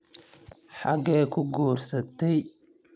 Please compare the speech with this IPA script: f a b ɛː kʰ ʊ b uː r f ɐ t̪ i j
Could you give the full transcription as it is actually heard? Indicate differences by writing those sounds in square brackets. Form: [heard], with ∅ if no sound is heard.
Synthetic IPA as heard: [ħ] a [ɡ] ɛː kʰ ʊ [ɡ] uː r [s] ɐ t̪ [ɛ] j

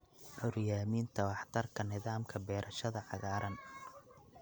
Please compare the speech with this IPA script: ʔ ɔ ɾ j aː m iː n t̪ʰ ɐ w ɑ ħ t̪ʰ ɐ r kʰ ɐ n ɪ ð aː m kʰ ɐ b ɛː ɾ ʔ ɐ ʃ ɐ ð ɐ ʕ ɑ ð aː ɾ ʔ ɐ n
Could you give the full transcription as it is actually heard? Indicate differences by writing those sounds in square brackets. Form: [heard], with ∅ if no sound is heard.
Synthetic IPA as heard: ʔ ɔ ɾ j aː m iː n t̪ʰ ɐ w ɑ ħ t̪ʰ ɐ r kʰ ɐ n ɪ ð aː m kʰ ɐ b ɛː ɾ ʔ ɐ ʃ ɐ ð ɐ ʕ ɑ [ɣ] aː ɾ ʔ ɐ n

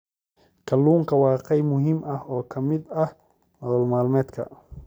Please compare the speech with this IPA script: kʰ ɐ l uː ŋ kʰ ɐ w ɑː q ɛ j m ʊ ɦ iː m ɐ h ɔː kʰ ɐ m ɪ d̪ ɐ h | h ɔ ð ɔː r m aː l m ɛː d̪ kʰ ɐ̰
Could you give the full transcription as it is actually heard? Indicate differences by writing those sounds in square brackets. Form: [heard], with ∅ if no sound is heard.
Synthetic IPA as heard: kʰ ɐ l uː ŋ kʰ ɐ w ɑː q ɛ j m ʊ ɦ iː m ɐ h ɔː kʰ ɐ m ɪ d̪ ɐ h | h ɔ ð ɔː [l] m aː l m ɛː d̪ kʰ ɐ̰

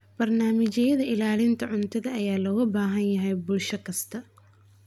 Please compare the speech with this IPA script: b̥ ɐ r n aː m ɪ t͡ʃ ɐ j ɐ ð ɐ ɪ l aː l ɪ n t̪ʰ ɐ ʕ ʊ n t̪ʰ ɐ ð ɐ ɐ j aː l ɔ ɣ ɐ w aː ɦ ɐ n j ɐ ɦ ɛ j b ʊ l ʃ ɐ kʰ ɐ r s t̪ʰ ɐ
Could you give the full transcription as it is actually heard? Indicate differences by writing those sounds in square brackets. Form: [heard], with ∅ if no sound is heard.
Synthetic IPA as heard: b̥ ɐ r n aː m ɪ t͡ʃ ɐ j ɐ ð ɐ ɪ l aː l ɪ n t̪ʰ ɐ ʕ ʊ n t̪ʰ ɐ ð ɐ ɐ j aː l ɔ ɣ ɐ [b] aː ɦ ɐ n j ɐ ɦ ɛ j b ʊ l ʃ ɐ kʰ ɐ [∅] s t̪ʰ ɐ

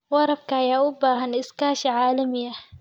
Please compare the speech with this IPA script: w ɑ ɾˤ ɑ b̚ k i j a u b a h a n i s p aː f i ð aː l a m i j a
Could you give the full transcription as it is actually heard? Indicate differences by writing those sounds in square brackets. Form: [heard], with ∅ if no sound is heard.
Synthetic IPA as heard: w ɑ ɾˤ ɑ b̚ k [a] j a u b a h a n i s [k] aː [ʃ] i [ʕ] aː l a m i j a

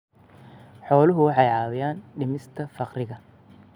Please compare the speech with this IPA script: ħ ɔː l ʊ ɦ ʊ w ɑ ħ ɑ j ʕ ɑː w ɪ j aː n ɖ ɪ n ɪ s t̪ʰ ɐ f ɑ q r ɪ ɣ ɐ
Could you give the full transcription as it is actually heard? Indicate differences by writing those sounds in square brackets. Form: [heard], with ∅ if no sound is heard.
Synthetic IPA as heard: ħ ɔː l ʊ ɦ ʊ w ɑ ħ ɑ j ʕ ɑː w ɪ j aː n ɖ ɪ [m] ɪ s t̪ʰ ɐ f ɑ q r ɪ ɣ ɐ

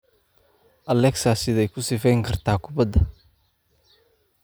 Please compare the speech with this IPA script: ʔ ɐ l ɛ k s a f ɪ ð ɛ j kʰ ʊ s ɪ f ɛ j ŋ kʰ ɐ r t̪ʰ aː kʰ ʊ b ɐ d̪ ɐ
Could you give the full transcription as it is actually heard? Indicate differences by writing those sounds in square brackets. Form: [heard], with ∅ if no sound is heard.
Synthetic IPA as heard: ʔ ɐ l ɛ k s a [s] ɪ ð ɛ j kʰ ʊ s ɪ f ɛ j ŋ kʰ ɐ r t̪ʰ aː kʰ ʊ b ɐ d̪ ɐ

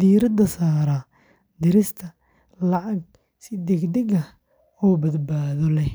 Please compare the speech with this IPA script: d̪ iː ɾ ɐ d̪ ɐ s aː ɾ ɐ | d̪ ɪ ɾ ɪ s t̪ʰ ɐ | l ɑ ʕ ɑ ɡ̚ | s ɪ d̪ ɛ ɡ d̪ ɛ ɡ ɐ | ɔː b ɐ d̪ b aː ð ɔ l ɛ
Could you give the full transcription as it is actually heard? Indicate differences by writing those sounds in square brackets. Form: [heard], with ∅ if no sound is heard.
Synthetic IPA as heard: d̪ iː ɾ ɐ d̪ ɐ s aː ɾ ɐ | d̪ ɪ ɾ ɪ s t̪ʰ ɐ | l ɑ ʕ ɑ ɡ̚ | s ɪ d̪ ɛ ɡ d̪ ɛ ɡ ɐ | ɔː b ɐ d̪ b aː ð ɔ l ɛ

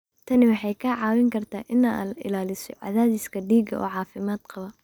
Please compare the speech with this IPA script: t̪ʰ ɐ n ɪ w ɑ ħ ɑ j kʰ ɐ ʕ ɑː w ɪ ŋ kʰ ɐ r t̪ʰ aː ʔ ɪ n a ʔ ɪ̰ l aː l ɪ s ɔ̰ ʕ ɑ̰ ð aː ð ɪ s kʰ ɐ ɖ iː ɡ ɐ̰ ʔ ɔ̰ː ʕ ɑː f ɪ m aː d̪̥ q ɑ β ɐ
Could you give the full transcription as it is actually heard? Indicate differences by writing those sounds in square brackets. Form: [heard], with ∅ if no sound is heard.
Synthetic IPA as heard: t̪ʰ ɐ n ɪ w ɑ ħ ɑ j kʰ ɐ ʕ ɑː w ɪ ŋ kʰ ɐ r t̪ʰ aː ʔ ɪ n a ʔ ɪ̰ l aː l ɪ s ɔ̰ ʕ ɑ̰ ð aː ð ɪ s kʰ ɐ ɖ iː ɡ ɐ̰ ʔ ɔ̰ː ʕ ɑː f ɪ m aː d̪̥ q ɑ β ɐ

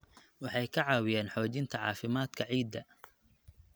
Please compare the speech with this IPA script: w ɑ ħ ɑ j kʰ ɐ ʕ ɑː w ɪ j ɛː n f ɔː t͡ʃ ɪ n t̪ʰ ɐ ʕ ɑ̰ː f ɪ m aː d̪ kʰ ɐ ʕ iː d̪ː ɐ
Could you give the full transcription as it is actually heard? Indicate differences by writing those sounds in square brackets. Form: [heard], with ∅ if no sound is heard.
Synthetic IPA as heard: w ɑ ħ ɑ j kʰ ɐ ʕ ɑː w ɪ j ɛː n [ħ] ɔː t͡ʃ ɪ n t̪ʰ ɐ ʕ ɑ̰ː f ɪ m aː d̪ kʰ ɐ ʕ iː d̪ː ɐ

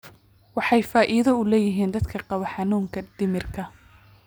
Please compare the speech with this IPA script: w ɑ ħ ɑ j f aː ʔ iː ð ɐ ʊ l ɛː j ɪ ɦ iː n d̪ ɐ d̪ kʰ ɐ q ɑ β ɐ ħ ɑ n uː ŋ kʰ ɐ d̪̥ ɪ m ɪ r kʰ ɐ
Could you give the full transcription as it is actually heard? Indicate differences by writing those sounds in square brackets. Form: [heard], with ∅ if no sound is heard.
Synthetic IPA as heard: w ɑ ħ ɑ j f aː ʔ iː ð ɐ ʊ l ɛː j ɪ ɦ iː n d̪ ɐ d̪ kʰ ɐ q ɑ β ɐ ħ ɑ n uː ŋ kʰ ɐ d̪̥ ɪ m ɪ r kʰ ɐ

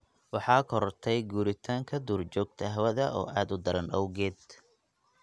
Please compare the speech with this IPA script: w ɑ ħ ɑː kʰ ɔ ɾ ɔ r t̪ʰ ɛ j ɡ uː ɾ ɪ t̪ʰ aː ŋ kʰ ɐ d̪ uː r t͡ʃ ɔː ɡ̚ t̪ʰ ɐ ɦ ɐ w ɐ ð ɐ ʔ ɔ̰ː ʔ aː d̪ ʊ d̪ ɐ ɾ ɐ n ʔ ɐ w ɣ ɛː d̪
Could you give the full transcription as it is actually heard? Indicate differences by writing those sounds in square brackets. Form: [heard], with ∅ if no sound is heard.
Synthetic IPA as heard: w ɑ ħ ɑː kʰ ɔ ɾ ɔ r t̪ʰ ɛ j ɡ uː ɾ ɪ t̪ʰ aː ŋ kʰ ɐ d̪ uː r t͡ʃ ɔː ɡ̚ t̪ʰ ɐ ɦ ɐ w ɐ ð ɐ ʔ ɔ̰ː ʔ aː d̪ ʊ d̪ ɐ ɾ ɐ n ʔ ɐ w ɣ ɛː d̪

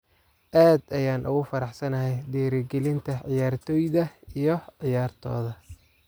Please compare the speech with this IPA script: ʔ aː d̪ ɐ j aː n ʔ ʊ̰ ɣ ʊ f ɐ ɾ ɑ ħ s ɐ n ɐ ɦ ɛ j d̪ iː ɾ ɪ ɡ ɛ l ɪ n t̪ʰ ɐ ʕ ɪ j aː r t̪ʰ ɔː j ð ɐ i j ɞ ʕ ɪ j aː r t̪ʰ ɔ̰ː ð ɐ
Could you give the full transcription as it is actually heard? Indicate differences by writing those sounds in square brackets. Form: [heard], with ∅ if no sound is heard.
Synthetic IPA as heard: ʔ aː d̪ ɐ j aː n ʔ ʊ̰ ɣ ʊ f ɐ ɾ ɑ ħ s ɐ n ɐ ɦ ɛ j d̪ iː ɾ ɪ ɡ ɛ l ɪ n t̪ʰ ɐ ʕ ɪ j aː r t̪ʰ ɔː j ð ɐ i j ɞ ʕ ɪ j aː r t̪ʰ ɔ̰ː ð ɐ

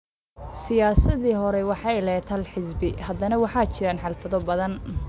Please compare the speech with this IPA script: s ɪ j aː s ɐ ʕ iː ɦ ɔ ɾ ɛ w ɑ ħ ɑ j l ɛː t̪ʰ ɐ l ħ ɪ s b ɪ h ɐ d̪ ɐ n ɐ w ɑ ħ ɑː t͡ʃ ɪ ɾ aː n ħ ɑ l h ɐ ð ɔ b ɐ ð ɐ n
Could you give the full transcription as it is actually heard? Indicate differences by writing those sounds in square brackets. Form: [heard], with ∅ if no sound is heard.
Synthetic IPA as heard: s ɪ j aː s ɐ [ð] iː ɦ ɔ ɾ ɛ w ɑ ħ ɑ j l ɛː t̪ʰ ɐ l ħ ɪ s b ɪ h ɐ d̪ ɐ n ɐ w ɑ ħ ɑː t͡ʃ ɪ ɾ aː n ħ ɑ l [f] ɐ ð ɔ b ɐ ð ɐ n

